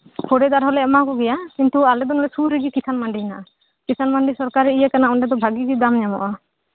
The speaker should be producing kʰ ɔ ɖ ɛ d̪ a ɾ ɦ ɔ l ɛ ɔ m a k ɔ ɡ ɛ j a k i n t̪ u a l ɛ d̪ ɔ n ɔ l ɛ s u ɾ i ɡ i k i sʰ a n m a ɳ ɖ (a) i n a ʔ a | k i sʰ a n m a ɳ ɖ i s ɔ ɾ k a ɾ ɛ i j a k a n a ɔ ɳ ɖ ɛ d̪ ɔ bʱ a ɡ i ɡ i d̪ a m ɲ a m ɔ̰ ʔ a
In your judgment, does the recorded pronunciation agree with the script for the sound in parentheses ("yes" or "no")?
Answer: no